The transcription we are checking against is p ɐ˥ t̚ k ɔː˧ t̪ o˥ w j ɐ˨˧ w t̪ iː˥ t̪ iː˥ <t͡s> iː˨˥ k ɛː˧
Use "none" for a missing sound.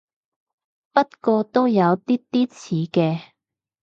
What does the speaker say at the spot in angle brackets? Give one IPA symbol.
t͡sʰ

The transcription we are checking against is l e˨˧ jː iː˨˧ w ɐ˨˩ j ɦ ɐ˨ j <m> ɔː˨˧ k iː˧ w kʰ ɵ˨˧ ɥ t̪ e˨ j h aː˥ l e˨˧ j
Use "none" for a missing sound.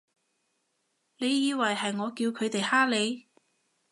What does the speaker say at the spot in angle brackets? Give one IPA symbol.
ŋ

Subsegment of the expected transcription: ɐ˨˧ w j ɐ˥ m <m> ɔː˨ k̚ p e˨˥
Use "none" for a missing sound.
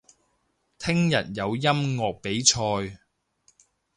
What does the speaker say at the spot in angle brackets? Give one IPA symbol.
ŋ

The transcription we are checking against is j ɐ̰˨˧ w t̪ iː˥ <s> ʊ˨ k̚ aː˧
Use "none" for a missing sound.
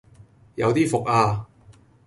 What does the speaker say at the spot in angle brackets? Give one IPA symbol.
f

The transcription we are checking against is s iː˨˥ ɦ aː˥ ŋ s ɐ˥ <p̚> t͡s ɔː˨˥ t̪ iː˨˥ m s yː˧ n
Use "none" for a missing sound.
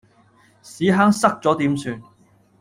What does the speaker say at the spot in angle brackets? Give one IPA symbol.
k̚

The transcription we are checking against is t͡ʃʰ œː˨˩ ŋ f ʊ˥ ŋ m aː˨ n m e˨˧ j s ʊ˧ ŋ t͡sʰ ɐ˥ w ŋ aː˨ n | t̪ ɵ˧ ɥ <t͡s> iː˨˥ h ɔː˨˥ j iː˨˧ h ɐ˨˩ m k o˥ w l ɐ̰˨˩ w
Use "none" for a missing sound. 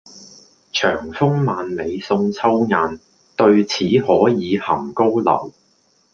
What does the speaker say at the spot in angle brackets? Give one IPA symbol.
t͡sʰ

